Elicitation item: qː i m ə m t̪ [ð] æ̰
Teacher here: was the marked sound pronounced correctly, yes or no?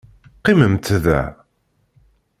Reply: yes